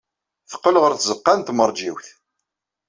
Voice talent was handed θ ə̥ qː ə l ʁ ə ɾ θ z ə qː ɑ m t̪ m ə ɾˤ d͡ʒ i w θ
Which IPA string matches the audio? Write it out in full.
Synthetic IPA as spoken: θ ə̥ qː ə l ʁ ə ɾ θ z ə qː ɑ n t̪ m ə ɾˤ d͡ʒ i w θ